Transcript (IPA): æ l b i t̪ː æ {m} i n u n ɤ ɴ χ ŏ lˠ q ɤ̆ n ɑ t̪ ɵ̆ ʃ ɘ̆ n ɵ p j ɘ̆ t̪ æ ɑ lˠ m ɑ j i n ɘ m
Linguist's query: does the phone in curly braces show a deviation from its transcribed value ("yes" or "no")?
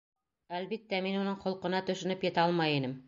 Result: no